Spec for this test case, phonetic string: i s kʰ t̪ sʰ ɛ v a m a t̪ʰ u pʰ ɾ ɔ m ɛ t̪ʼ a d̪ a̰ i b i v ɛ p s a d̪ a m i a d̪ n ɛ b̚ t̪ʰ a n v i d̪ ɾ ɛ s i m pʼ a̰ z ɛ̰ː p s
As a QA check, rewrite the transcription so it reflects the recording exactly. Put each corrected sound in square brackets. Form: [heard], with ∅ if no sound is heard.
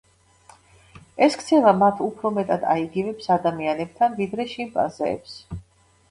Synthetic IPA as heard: [ɛ] s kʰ t̪ sʰ ɛ v a m a t̪ʰ u pʰ ɾ ɔ m ɛ t̪ʼ a d̪ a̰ i [ɡ] i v ɛ p s a d̪ a m i a [∅] n ɛ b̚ t̪ʰ a n v i d̪ ɾ ɛ [ʃ] i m pʼ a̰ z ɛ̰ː p s